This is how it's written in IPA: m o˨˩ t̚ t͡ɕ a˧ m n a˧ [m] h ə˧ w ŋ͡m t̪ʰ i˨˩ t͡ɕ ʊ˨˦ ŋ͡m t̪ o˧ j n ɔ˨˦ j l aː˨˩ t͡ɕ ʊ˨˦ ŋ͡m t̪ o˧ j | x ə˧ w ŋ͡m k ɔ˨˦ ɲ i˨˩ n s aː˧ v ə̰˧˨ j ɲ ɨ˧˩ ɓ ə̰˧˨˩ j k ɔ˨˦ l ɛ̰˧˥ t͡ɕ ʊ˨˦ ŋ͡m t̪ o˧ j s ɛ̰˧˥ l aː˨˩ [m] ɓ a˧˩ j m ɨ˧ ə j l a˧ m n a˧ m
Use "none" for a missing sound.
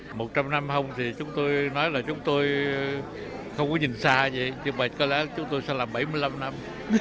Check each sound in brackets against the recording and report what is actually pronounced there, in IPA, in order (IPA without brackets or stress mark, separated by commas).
m, m